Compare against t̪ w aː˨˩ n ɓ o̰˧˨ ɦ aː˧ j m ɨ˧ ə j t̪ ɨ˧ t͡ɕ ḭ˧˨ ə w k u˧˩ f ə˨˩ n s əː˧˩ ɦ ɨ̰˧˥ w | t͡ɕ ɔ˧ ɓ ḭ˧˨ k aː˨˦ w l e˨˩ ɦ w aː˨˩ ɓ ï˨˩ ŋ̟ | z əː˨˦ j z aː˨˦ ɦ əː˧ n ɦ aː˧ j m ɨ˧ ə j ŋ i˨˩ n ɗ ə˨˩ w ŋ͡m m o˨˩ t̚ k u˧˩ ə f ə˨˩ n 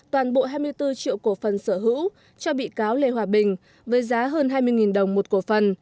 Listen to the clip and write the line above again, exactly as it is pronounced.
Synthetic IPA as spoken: t̪ w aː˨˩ n ɓ o̰˧˨ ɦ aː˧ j m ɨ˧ ə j t̪ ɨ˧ t͡ɕ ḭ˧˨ ə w k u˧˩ f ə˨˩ n s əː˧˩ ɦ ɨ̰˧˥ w | t͡ɕ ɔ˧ ɓ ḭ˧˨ k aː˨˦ w l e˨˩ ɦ w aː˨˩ ɓ ï˨˩ ŋ̟ | v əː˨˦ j z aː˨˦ ɦ əː˧ n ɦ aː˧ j m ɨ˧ ə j ŋ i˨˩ n ɗ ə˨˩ w ŋ͡m m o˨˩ t̚ k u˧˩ ə f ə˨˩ n